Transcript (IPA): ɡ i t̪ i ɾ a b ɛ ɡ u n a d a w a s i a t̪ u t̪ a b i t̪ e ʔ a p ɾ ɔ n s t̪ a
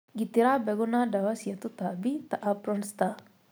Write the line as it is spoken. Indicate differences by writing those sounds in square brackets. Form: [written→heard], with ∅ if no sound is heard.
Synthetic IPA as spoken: ɡ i t̪ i ɾ a b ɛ ɡ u n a d a w a s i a t̪ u t̪ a b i t̪ [e→a] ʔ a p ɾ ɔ n s t̪ a